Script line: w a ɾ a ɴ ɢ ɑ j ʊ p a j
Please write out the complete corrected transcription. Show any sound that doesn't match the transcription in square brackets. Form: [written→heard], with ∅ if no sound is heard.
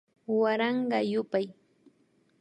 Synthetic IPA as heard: w a ɾ [a→ɑ] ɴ ɢ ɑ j ʊ p a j

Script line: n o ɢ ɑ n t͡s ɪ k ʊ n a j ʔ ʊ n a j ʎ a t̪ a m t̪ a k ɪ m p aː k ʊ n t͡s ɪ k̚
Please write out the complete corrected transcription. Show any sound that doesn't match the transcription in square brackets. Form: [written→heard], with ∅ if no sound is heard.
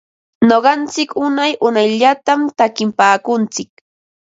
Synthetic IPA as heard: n o ɢ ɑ n t͡s ɪ k ʊ n a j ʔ ʊ n a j ʎ a t̪ a m t̪ a k ɪ m p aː k ʊ n t͡s ɪ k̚

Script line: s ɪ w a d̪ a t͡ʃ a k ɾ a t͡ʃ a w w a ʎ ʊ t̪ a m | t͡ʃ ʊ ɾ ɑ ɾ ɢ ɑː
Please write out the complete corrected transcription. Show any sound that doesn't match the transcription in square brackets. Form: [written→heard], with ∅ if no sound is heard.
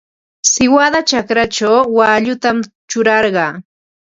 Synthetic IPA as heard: s ɪ w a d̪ a t͡ʃ a k ɾ a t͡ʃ a w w a ʎ ʊ t̪ a m | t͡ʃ ʊ ɾ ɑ ɾ ɢ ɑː

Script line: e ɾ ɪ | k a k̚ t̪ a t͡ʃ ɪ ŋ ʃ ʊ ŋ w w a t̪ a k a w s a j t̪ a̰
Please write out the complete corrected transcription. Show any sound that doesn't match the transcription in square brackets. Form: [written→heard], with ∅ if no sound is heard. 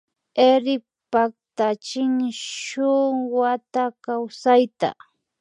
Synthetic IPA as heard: e ɾ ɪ | [k→p] a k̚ t̪ a t͡ʃ ɪ ŋ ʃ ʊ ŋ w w a t̪ a k a w s a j t̪ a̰

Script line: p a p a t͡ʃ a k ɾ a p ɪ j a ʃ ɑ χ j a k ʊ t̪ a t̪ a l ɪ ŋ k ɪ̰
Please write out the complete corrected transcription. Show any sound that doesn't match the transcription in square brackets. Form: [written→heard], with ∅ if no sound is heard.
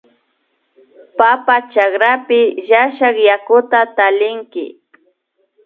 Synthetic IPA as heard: p a p a t͡ʃ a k ɾ a p ɪ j a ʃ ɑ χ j a k ʊ t̪ a t̪ a l ɪ ŋ k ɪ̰

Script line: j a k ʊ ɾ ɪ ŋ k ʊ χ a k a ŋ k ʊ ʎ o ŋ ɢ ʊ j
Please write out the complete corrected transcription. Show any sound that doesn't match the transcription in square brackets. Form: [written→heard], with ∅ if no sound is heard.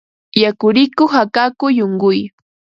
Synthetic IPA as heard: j a k ʊ ɾ ɪ [ŋ→∅] k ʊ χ a k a [ŋ→∅] k ʊ [ʎ→j] o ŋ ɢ ʊ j

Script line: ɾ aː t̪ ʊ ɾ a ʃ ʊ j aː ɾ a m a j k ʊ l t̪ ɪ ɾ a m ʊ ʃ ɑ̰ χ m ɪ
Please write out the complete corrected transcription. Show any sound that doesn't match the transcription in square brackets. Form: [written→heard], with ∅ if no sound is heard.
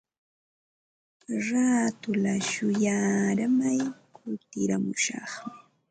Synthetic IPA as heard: ɾ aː t̪ ʊ [ɾ→l] a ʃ ʊ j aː ɾ a m a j k ʊ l t̪ ɪ ɾ a m ʊ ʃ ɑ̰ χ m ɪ

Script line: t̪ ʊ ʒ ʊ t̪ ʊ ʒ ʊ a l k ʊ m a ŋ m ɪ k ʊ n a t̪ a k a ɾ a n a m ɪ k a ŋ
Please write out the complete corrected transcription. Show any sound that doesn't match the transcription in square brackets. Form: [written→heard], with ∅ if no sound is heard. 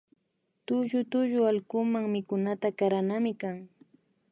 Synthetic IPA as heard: t̪ ʊ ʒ ʊ t̪ ʊ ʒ ʊ a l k ʊ m a ŋ m ɪ k ʊ n a t̪ a k a ɾ a n a m ɪ k a ŋ

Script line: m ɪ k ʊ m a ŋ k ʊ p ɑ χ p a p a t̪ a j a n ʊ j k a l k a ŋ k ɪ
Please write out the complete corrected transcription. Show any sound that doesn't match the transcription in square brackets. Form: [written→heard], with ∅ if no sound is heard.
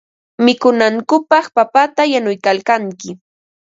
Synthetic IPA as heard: m ɪ k ʊ [m→n] a ŋ k ʊ p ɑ χ p a p a t̪ a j a n ʊ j k a l k a ŋ k ɪ

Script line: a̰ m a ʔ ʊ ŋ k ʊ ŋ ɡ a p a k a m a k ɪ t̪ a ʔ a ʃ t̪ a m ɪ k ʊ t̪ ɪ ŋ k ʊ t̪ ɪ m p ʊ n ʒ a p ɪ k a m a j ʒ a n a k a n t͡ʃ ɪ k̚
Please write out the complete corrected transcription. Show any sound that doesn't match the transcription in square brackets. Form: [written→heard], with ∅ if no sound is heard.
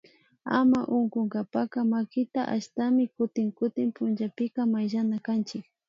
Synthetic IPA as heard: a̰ m a ʔ ʊ ŋ k ʊ ŋ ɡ a p a k a m a k ɪ t̪ a ʔ a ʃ t̪ a m ɪ k ʊ t̪ ɪ ŋ k ʊ t̪ ɪ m p ʊ n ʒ a p ɪ k a m a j ʒ a n a k a n t͡ʃ ɪ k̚

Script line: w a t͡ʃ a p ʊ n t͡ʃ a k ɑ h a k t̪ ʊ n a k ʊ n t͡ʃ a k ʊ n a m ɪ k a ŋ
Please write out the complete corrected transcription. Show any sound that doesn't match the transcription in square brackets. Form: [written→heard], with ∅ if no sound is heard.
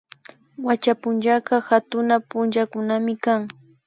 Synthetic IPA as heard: w a t͡ʃ a p ʊ n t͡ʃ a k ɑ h a [k→∅] t̪ ʊ n a [k→p] ʊ n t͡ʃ a k ʊ n a m ɪ k a ŋ

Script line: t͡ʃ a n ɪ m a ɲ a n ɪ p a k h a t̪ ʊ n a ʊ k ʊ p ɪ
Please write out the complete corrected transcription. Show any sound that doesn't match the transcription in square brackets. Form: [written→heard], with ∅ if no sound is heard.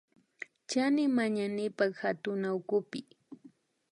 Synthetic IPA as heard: t͡ʃ a n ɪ m a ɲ a n ɪ p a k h a t̪ ʊ n a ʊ k ʊ p ɪ

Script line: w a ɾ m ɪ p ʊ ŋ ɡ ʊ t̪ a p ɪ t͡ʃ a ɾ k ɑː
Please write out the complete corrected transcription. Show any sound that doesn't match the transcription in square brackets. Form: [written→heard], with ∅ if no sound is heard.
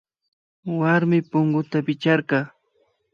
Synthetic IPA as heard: w a ɾ m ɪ p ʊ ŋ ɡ ʊ t̪ a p ɪ t͡ʃ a ɾ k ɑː

